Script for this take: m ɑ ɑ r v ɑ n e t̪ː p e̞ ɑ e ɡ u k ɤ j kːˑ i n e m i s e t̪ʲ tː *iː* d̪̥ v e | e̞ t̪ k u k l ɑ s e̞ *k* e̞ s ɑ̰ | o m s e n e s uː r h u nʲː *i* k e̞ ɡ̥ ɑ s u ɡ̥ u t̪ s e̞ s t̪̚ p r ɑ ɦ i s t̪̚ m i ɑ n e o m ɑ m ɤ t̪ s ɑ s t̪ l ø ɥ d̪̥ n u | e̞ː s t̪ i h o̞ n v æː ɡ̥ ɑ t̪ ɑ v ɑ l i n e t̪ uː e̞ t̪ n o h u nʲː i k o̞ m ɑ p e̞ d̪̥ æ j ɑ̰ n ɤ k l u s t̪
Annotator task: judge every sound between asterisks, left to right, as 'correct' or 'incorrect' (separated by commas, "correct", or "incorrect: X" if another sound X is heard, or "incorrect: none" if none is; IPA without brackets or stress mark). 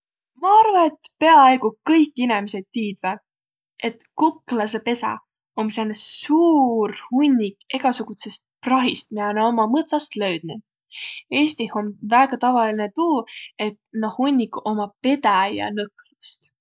correct, incorrect: p, correct